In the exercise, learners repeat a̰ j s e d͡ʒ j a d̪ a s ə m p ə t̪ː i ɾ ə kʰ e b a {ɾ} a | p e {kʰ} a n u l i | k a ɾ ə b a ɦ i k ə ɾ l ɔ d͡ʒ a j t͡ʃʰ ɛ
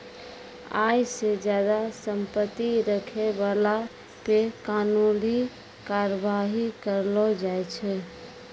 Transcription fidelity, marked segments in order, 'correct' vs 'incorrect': incorrect: l, incorrect: k

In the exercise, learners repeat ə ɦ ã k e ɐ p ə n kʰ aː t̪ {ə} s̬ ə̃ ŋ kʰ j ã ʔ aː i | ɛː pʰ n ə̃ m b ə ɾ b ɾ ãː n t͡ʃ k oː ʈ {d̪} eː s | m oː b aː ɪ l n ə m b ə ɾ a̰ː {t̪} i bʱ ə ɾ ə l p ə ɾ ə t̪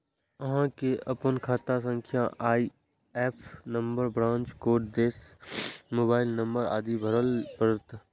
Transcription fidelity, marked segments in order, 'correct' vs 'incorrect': incorrect: a, correct, incorrect: d̪

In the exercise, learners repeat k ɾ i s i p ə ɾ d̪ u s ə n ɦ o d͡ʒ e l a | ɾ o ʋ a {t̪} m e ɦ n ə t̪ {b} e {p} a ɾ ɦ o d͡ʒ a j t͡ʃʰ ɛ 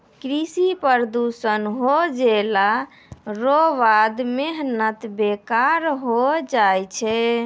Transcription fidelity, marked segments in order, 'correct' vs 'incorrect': incorrect: d̪, correct, incorrect: k

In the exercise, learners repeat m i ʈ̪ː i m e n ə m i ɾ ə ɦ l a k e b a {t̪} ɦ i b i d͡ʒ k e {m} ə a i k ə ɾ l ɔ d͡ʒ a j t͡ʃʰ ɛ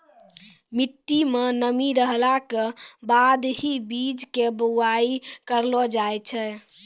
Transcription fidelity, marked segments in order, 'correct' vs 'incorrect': incorrect: d̪, incorrect: b

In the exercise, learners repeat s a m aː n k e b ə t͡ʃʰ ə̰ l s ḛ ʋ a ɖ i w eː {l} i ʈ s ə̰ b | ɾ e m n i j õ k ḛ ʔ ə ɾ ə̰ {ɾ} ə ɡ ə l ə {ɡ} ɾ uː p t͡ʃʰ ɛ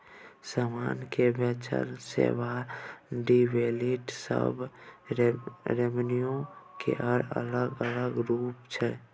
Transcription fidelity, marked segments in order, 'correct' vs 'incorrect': correct, incorrect: l, correct

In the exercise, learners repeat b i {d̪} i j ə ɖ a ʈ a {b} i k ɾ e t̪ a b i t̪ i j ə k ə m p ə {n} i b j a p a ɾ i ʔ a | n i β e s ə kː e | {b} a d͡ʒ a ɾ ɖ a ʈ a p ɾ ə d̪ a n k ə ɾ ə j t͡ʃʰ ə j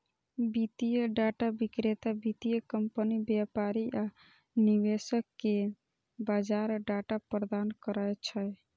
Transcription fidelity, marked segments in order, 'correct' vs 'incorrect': incorrect: t̪, correct, correct, correct

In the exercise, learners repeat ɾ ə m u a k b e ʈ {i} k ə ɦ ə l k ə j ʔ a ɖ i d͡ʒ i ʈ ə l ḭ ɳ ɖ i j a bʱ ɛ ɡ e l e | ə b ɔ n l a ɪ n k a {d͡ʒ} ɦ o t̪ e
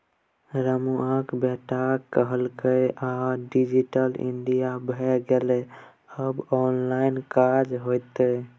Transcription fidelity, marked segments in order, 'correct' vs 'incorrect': incorrect: a, correct

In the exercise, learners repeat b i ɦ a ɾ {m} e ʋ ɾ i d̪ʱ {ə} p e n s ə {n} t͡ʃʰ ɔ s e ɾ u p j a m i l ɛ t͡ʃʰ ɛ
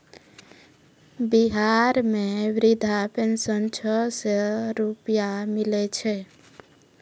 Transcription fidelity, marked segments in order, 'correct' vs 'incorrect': correct, incorrect: a, correct

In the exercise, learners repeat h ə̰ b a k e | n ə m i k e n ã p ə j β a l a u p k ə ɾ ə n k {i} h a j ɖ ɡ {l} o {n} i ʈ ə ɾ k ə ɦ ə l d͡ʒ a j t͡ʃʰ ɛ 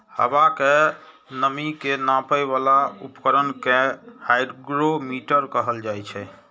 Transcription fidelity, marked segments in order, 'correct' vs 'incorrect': incorrect: e, incorrect: ɾ, incorrect: m

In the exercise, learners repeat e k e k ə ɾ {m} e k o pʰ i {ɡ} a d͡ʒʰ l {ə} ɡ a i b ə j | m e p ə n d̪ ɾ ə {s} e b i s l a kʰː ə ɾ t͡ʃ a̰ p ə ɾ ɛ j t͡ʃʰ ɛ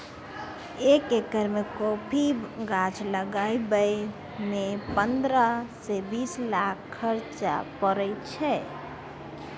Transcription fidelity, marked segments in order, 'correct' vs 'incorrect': correct, correct, correct, correct

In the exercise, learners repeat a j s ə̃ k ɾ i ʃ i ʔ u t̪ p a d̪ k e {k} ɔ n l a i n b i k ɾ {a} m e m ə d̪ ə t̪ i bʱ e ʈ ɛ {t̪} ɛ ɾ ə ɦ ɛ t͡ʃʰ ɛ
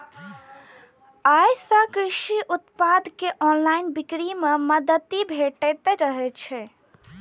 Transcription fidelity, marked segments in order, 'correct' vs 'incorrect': incorrect: ʔ, incorrect: i, correct

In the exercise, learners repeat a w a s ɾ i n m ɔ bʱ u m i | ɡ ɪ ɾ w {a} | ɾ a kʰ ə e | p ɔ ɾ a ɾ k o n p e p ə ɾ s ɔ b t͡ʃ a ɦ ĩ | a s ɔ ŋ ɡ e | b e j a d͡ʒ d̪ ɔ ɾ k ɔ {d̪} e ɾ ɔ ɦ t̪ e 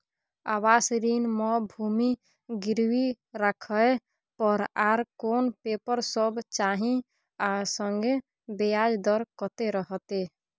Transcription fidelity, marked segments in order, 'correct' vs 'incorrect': incorrect: i, incorrect: t̪

